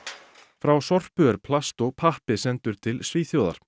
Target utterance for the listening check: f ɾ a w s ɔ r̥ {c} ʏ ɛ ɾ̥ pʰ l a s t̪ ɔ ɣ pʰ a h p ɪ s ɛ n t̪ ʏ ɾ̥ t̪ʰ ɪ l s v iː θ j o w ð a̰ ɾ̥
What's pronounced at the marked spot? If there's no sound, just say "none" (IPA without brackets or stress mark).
p